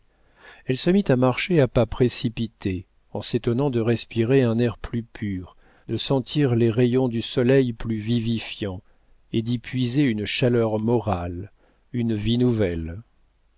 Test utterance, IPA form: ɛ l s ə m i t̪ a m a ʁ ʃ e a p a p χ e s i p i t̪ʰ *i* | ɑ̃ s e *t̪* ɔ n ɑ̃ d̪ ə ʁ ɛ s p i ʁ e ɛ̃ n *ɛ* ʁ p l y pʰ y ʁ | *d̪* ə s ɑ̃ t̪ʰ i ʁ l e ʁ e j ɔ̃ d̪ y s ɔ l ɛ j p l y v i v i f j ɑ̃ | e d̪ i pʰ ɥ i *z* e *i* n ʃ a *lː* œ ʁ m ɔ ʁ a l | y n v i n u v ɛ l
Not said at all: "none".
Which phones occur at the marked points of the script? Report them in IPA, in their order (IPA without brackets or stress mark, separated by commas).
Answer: e, t̪, ɛ, d̪, z, y, l